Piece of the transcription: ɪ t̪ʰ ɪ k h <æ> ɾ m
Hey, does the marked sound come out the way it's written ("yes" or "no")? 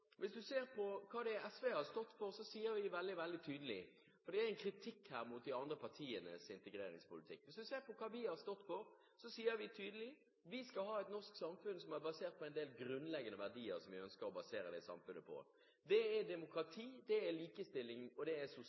no